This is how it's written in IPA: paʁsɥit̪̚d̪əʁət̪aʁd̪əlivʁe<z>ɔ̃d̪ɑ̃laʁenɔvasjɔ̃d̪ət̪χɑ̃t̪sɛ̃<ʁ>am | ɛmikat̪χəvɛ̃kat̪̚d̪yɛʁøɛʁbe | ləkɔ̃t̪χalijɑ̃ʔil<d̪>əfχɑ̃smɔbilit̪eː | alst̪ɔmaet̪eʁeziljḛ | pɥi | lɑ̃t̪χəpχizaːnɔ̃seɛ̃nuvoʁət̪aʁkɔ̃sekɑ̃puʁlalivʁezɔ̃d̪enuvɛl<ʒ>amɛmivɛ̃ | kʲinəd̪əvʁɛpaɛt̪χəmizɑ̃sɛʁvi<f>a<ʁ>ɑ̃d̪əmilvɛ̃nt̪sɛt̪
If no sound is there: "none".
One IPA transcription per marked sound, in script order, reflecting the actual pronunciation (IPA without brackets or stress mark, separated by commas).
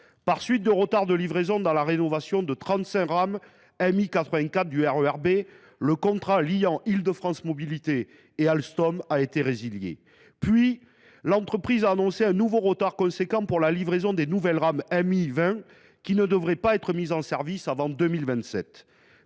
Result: z, ʁ, d̪, ʁ, s, v